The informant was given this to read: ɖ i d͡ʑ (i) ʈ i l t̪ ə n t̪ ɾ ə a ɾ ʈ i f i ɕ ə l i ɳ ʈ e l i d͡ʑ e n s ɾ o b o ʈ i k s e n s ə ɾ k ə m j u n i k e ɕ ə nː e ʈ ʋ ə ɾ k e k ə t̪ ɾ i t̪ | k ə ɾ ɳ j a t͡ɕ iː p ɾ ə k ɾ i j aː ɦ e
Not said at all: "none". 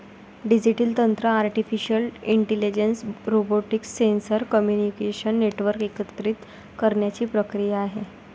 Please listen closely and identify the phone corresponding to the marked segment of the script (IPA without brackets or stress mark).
i